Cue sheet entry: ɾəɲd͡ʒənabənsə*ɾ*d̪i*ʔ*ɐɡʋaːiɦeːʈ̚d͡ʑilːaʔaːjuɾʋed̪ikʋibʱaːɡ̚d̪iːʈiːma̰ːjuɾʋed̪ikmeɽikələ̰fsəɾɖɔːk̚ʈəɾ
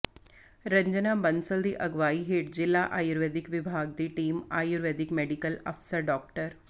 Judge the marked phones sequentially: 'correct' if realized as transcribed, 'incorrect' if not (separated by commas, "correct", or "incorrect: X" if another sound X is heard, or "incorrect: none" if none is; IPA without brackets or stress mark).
incorrect: l, correct